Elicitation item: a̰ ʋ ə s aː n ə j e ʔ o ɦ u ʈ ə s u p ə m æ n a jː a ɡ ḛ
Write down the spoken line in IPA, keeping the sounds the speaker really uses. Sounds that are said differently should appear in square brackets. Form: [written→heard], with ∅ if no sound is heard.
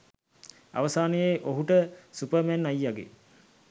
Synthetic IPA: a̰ ʋ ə s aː n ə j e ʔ o ɦ u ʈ ə s u p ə m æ n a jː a ɡ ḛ